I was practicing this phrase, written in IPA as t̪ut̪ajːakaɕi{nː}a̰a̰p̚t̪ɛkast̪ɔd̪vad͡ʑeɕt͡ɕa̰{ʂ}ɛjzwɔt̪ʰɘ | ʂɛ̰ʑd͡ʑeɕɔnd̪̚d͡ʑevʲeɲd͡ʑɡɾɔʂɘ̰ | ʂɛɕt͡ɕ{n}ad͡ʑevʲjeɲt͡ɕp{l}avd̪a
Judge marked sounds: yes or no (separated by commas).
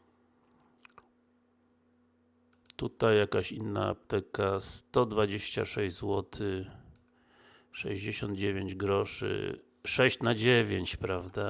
yes, yes, yes, no